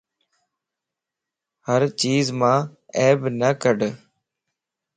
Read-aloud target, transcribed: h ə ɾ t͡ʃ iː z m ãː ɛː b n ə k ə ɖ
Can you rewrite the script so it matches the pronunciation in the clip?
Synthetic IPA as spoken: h ə ɾ t͡ʃ iː z m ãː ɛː b n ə k ə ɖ